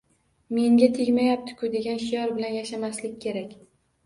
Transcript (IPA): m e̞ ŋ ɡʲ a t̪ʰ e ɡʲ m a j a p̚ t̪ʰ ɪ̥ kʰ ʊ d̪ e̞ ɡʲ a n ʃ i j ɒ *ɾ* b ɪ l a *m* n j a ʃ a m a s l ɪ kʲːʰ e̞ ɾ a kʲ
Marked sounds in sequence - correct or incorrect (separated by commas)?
correct, incorrect